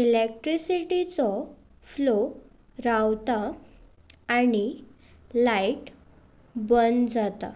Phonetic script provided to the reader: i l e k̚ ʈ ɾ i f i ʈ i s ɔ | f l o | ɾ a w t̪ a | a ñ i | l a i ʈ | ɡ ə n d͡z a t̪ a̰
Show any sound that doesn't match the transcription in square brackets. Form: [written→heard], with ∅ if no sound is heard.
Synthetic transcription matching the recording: i l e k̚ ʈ ɾ i [f→s] i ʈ i [s→t͡s] ɔ | f l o | ɾ a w t̪ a | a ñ i | l a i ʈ | [ɡ→b] ə n d͡z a t̪ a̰